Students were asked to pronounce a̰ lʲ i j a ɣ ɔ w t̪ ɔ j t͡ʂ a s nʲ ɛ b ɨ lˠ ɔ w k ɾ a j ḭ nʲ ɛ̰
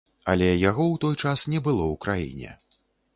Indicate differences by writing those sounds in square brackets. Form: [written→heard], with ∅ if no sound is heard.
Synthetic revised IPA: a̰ lʲ [i→ɛ] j a ɣ ɔ w t̪ ɔ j t͡ʂ a s nʲ ɛ b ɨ lˠ ɔ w k ɾ a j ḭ nʲ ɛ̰